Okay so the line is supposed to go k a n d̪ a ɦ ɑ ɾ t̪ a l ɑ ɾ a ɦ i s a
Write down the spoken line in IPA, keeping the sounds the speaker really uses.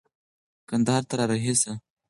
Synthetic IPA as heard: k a n d̪ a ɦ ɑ ɾ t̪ a ɾ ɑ ɾ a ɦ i s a